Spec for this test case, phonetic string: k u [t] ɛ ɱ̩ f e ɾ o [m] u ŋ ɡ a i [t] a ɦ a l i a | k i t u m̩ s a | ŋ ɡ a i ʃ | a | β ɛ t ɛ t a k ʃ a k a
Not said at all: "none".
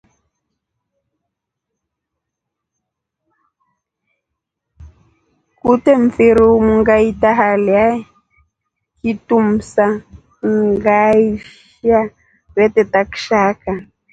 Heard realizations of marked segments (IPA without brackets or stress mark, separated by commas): t, m, t